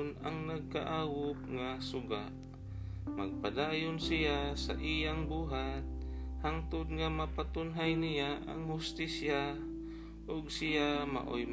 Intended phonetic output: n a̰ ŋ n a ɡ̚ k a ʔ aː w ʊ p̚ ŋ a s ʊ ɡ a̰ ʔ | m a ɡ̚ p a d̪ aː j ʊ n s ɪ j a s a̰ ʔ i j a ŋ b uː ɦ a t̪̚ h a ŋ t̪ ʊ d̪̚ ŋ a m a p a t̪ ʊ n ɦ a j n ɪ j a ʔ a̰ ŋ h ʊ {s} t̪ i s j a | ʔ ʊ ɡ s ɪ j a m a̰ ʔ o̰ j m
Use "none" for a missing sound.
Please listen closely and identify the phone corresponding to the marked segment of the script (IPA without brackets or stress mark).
s